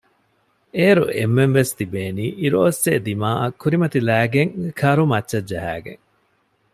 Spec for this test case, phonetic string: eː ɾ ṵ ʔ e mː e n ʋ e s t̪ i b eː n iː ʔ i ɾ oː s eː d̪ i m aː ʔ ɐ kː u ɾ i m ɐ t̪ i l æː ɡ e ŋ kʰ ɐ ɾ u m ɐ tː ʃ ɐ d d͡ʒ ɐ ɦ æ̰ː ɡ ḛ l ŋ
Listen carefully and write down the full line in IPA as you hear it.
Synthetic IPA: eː ɾ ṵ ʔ e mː e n ʋ e s t̪ i b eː n iː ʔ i ɾ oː s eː d̪ i m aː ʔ ɐ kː u ɾ i m ɐ t̪ i l æː ɡ e ŋ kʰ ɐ ɾ u m ɐ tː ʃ ɐ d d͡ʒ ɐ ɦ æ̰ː ɡ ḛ ŋ